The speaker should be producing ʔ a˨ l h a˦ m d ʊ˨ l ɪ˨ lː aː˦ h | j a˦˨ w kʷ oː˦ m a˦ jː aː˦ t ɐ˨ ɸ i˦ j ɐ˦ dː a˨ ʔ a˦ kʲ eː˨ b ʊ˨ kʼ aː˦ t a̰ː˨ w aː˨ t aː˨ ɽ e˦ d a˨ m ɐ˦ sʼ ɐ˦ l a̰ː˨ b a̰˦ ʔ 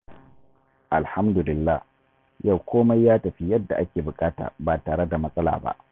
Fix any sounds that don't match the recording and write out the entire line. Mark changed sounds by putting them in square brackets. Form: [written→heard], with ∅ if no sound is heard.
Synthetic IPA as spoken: ʔ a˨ l h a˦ m d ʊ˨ l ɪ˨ lː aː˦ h | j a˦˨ w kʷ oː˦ m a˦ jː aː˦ t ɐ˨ ɸ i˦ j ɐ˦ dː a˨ ʔ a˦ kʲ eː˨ b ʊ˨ kʼ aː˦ t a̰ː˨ [w→b] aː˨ t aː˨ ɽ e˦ d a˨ m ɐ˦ sʼ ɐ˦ l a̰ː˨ b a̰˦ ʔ